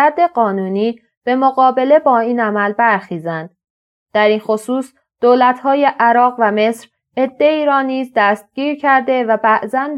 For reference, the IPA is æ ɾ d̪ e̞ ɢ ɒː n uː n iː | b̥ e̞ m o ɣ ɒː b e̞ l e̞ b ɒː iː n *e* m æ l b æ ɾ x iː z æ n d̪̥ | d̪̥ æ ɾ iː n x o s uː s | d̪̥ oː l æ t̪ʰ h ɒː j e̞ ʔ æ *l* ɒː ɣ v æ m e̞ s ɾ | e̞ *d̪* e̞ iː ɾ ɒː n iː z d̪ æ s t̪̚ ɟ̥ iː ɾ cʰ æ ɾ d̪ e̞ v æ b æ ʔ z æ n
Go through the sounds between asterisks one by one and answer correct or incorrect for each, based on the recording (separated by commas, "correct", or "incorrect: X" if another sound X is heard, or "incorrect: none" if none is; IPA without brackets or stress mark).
incorrect: æ, incorrect: ɾ, incorrect: d̪ː